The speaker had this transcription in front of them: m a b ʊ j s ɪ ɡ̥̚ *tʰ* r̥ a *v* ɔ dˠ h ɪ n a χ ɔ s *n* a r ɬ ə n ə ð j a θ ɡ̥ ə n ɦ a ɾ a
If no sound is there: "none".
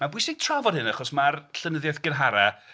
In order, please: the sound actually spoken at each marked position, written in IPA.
tʰ, v, m

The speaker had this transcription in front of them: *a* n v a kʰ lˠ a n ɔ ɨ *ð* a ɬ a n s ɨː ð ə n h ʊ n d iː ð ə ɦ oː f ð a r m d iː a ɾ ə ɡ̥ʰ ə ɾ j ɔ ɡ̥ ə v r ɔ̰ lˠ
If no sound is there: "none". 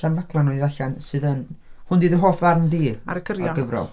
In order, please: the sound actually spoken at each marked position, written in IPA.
a, ð

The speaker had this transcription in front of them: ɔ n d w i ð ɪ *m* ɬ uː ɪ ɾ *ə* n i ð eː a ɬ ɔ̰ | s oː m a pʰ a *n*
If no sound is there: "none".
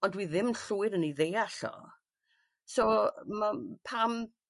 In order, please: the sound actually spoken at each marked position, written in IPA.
m, ə, m

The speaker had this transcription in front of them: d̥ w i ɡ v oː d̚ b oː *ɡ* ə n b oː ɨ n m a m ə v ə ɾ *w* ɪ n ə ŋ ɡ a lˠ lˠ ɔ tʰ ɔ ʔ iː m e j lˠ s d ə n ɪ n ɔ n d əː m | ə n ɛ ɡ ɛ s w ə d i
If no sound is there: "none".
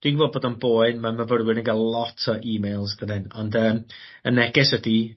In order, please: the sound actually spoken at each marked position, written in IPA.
d, w

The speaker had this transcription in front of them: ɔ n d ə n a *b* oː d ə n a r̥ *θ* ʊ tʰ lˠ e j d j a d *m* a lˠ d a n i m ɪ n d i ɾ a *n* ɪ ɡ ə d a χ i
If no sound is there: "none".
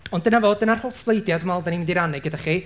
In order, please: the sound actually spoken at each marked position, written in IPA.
v, h, m, n

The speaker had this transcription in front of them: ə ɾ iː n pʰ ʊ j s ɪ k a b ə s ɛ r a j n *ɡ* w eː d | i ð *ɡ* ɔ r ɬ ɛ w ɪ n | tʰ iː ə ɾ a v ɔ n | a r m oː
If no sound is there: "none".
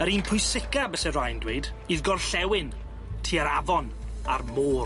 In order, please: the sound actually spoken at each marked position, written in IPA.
d, ɡ

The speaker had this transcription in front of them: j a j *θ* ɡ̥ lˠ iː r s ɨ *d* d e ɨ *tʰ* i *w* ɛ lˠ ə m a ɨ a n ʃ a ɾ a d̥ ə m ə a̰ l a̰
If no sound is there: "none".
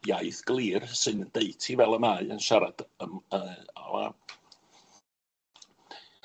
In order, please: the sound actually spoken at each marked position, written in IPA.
θ, n, tʰ, v

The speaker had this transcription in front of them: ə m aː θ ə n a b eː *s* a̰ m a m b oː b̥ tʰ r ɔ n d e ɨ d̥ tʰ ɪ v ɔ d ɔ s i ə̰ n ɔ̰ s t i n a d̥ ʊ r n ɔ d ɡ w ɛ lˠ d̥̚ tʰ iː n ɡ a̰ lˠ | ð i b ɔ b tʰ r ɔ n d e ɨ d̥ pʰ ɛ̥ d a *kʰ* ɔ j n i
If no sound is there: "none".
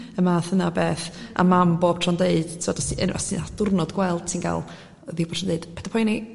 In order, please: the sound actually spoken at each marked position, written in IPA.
θ, pʰ

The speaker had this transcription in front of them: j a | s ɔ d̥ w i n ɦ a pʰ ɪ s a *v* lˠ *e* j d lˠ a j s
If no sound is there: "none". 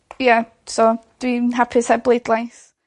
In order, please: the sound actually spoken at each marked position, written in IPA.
b, e

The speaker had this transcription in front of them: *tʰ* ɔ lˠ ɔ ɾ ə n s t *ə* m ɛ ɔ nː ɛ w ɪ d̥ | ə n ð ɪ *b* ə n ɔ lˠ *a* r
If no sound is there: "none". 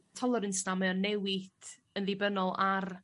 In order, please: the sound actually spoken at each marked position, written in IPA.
tʰ, a, b, a

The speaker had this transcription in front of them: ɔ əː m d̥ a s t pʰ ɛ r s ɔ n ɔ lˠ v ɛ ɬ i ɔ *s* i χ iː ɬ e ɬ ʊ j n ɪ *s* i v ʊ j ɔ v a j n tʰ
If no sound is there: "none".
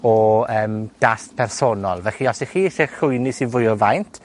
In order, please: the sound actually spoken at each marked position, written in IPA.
s, s

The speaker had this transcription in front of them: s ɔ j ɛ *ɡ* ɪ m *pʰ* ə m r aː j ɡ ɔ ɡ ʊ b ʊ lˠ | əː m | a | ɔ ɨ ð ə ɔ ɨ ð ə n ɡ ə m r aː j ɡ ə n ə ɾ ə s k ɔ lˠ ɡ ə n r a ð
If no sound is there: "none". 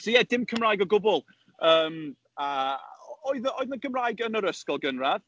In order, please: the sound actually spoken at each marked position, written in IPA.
d, kʰ

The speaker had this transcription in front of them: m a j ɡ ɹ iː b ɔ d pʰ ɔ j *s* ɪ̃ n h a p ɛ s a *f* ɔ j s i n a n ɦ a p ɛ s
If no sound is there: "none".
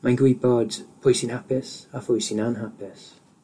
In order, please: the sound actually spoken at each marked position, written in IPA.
s, f

